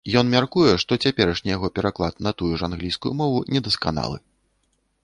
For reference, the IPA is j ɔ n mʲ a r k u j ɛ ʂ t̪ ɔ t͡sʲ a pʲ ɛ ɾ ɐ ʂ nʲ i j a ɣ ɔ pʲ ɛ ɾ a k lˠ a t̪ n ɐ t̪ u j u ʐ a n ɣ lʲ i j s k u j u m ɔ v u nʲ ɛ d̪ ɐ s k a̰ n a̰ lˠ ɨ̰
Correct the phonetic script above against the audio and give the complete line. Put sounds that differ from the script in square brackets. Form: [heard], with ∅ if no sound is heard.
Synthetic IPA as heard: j ɔ n mʲ a r k u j ɛ ʂ t̪ ɔ t͡sʲ a pʲ ɛ ɾ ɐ ʂ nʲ i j a ɣ ɔ pʲ ɛ ɾ a k lˠ a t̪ n ɐ t̪ u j u ʐ a n ɣ lʲ i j s k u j u m ɔ v u nʲ ɛ d̪ ɐ s k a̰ n a̰ lˠ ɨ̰